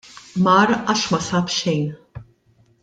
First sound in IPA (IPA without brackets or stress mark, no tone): m